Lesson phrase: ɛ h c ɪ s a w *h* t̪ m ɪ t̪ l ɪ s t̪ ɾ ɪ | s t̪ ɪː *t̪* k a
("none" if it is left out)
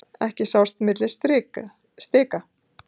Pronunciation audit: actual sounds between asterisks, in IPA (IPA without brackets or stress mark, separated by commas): s, none